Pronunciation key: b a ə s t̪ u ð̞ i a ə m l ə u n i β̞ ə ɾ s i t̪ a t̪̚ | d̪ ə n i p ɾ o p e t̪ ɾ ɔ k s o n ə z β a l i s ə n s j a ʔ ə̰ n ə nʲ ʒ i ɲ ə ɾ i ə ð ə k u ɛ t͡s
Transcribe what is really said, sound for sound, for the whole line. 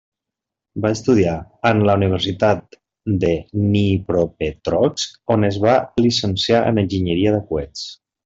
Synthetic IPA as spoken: b a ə s t̪ u ð̞ i a ə n l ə u n i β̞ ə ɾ s i t̪ a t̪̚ | d̪ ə n i p ɾ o p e t̪ ɾ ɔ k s o n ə z β a l i s ə n s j a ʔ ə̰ n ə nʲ ʒ i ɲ ə ɾ i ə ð ə k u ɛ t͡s